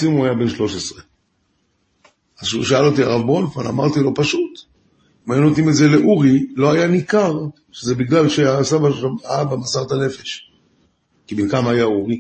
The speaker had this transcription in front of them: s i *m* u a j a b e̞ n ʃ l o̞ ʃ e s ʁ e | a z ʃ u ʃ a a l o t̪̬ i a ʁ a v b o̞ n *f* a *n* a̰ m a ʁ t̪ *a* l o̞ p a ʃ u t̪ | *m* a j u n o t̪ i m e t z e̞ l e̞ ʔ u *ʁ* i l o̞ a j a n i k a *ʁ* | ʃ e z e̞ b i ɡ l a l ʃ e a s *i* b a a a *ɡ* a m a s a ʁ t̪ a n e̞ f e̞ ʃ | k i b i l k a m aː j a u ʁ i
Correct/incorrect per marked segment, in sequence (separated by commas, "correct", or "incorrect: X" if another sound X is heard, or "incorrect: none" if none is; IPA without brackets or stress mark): correct, correct, correct, incorrect: i, correct, correct, correct, incorrect: a, incorrect: b